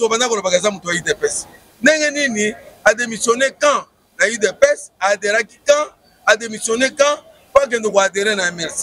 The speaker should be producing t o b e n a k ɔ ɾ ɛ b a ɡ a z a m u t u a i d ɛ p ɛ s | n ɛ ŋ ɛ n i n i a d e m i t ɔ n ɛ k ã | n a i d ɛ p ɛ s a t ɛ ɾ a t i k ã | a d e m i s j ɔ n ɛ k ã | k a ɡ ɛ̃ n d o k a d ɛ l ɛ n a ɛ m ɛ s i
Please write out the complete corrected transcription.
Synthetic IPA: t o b a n a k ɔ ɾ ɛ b a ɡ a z a m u t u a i d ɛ p ɛ s | n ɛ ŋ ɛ n i n i a d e m i s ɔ n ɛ k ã | n a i d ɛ p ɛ s a d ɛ ɾ a k i k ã | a d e m i s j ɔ n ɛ k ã | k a ɡ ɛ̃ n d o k a d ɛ ɾ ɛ n a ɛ m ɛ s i